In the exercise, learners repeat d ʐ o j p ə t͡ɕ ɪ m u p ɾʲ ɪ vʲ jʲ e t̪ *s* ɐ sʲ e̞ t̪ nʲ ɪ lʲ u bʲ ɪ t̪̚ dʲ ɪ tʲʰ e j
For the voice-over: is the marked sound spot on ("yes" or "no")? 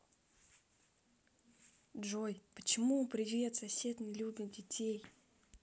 yes